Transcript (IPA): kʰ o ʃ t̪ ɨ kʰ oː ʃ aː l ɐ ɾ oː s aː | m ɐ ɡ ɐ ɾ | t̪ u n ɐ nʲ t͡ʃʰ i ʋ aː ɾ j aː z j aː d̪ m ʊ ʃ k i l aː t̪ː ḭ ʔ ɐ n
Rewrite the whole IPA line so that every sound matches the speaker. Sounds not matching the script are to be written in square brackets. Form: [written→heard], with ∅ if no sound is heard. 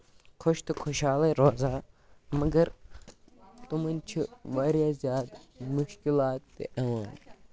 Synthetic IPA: kʰ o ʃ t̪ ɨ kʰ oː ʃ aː l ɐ ɾ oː [s→z] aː | m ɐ ɡ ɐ ɾ | t̪ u [n→m] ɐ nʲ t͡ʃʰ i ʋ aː ɾ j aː z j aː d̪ m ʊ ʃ k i l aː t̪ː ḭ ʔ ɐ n

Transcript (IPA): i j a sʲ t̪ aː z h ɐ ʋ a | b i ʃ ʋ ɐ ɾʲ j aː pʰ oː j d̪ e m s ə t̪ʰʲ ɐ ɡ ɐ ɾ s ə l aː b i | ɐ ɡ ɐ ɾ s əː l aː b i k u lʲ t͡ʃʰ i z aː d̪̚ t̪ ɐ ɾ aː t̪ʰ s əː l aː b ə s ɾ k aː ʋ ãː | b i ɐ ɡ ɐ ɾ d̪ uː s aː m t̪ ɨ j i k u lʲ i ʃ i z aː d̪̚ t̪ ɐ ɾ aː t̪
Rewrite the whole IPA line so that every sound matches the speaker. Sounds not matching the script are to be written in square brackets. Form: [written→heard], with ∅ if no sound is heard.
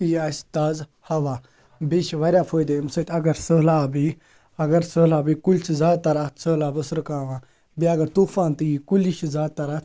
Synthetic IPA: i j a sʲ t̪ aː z h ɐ ʋ a | b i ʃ ʋ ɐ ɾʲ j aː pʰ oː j d̪ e m s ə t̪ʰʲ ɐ ɡ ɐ ɾ s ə l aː b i | ɐ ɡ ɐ ɾ s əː l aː b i k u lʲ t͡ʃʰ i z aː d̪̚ t̪ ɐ ɾ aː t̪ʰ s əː l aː b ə s ɾ k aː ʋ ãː | b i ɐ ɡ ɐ ɾ [d̪→t̪] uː [s→f] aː [m→n] t̪ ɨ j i k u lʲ i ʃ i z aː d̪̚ t̪ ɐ ɾ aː t̪

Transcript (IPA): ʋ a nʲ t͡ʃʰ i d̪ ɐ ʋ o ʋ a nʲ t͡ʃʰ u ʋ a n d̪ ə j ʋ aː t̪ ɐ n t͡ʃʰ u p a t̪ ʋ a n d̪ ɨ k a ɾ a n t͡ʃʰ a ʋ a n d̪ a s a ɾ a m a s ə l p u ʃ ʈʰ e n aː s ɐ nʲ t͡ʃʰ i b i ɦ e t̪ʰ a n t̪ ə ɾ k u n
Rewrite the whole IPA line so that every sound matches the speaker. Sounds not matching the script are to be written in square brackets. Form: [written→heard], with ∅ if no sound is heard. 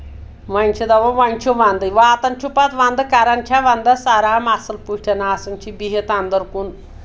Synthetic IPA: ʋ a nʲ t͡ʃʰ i d̪ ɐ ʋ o ʋ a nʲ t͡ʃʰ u ʋ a n d̪ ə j ʋ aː t̪ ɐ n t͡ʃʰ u p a t̪ ʋ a n d̪ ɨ k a ɾ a n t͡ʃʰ a ʋ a n d̪ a s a ɾ a m a s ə l p u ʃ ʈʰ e n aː s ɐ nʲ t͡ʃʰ i b i ɦ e [t̪ʰ→t̪] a n [t̪→d̪] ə ɾ k u n

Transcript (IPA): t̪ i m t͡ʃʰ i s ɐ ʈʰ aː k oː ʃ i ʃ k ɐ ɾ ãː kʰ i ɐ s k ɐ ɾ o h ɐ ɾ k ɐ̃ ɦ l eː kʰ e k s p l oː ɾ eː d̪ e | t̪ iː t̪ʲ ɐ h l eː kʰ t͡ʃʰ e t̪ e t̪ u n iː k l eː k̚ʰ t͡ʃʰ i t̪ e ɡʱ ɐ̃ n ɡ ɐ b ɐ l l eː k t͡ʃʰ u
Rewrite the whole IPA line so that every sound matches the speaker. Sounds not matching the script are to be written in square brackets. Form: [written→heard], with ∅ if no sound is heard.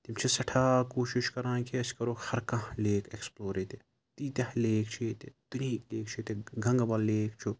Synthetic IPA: t̪ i m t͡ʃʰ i s ɐ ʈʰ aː k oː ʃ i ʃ k ɐ ɾ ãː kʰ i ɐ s k ɐ ɾ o h ɐ ɾ k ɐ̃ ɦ l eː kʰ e k s p l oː ɾ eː [d̪→t̪] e | t̪ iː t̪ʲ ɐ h l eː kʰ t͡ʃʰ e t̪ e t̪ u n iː k l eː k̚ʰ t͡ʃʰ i t̪ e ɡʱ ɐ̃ [n→ŋ] ɡ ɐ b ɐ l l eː k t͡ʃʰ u

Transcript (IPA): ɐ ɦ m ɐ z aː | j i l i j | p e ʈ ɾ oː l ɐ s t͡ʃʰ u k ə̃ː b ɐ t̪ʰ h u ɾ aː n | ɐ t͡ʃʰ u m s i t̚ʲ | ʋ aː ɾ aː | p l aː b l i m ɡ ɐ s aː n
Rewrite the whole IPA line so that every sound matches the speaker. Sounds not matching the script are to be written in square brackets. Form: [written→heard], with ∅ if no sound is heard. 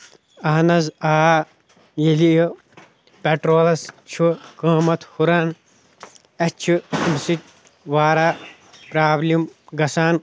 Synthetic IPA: ɐ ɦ [m→n] ɐ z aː | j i l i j | p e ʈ ɾ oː l ɐ s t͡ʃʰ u k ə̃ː [b→m] ɐ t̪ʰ h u ɾ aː n | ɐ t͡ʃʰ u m s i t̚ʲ | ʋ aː ɾ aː | p [l→ɾ] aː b l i m ɡ ɐ s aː n

